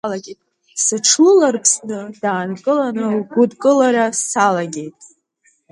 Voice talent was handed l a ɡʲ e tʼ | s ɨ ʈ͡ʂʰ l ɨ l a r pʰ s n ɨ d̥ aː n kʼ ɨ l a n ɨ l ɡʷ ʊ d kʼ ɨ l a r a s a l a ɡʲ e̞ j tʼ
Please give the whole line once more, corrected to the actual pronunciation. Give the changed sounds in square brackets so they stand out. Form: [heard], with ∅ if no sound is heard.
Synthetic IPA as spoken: l a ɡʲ e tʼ | s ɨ ʈ͡ʂʰ l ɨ l a r pʰ s n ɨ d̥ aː n kʼ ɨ l a n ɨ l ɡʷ ʊ d kʼ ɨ l a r a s a l a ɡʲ e̞ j tʼ

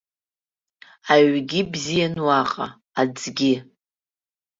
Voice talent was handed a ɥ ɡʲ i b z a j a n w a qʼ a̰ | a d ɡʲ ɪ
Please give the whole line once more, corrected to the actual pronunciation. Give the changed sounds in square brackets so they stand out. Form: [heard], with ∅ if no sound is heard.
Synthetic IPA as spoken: a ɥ ɡʲ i b z [i] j a n w a qʼ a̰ | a [d͡z] ɡʲ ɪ

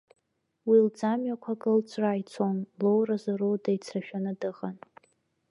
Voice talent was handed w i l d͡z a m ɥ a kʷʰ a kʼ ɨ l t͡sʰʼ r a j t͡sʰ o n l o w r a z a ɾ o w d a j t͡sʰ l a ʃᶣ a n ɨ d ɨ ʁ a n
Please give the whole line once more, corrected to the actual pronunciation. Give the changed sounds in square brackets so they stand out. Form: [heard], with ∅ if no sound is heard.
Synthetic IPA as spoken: w i l d͡z a m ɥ a kʷʰ a kʼ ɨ l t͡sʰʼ r a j t͡sʰ o n l o w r a z a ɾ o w d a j t͡sʰ [r] a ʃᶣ a n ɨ d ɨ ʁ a n

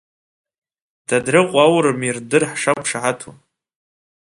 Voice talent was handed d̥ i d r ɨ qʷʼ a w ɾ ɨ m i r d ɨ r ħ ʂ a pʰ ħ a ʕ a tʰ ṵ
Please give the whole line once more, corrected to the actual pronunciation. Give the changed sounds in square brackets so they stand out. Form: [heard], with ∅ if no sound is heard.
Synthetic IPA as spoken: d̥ [a] d r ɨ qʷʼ a w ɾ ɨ m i r d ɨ r ħ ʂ a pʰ [ʂ] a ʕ a tʰ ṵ

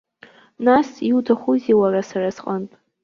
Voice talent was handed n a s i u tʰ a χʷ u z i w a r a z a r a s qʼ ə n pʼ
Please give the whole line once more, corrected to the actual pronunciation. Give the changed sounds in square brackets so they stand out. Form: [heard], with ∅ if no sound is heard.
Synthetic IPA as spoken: n a s i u tʰ a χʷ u z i w a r a [s] a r a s qʼ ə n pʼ

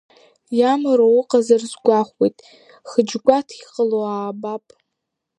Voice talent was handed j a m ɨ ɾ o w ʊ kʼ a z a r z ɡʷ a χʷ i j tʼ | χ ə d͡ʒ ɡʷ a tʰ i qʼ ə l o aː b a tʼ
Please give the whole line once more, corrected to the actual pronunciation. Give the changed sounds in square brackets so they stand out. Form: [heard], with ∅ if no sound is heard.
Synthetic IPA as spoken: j a m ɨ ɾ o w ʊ [qʼ] a z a r z ɡʷ a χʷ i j tʼ | χ ə d͡ʒ ɡʷ a tʰ i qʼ ə l o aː b a [pʼ]

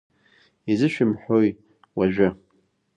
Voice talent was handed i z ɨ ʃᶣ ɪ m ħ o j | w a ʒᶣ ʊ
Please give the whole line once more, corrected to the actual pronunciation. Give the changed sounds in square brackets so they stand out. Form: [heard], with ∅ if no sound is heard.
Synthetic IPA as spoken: i z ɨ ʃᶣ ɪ m ħ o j | w a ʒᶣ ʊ

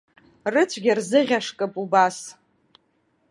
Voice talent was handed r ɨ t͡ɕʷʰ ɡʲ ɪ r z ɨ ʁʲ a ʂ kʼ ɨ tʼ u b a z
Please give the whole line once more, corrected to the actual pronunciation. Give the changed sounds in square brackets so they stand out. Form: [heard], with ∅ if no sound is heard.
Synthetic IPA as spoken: r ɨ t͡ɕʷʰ ɡʲ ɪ r z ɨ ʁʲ a ʂ kʼ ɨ [pʼ] u b a [s]

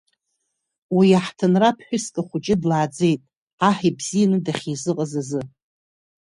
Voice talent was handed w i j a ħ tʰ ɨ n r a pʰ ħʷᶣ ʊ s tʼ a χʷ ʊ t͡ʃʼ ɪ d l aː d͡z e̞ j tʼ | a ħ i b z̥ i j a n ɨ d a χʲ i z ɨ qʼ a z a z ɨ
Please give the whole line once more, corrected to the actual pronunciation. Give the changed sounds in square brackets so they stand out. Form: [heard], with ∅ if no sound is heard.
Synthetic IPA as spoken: w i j a ħ tʰ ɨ n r a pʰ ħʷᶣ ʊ s [kʼ] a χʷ ʊ t͡ʃʼ ɪ d l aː d͡z e̞ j tʼ | a ħ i b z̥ i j a n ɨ d a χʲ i z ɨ qʼ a z a z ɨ

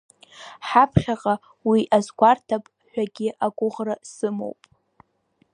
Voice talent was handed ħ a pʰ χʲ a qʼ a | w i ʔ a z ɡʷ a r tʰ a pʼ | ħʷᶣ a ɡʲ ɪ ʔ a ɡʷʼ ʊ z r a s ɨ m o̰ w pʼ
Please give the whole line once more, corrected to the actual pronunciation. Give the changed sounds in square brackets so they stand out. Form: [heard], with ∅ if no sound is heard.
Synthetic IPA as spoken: ħ a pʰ χʲ a qʼ a | w i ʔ a z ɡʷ a r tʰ a pʼ | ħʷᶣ a ɡʲ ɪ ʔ a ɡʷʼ ʊ [ʁ] r a s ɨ m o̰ w pʼ

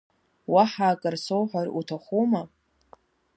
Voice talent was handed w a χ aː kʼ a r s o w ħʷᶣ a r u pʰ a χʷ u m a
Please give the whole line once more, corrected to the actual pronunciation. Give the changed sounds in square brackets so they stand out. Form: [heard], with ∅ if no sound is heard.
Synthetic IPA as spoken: w a [ħ] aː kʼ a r s o w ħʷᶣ a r u [tʰ] a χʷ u m a

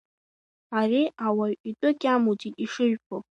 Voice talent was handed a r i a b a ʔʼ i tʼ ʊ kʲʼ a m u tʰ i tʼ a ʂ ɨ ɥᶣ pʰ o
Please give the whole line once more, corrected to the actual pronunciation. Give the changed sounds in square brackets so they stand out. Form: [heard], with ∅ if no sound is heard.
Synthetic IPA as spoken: a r i a [w] a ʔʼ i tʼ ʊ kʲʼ a m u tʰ i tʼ [i] ʂ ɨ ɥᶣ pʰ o

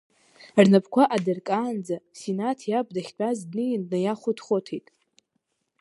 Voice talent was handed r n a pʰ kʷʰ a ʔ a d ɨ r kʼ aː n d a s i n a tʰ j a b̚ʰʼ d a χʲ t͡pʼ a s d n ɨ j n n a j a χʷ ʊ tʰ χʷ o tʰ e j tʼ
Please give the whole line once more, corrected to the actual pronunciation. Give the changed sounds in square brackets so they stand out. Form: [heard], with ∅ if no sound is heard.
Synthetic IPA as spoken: r n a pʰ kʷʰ a ʔ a d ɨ r kʼ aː n [d͡z] a s i n a tʰ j a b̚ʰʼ d a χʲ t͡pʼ a [z] d n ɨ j n n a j a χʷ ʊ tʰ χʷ o tʰ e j tʼ

